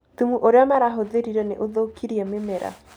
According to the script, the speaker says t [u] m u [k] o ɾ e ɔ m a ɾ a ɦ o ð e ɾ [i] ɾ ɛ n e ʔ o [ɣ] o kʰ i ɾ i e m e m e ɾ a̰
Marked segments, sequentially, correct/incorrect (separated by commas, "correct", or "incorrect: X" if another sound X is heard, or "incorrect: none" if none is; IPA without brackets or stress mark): correct, incorrect: ʔ, correct, incorrect: ð